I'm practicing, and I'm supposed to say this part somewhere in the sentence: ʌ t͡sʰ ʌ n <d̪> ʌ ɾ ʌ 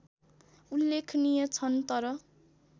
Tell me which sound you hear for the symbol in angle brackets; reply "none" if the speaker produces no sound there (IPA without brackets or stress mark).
t̪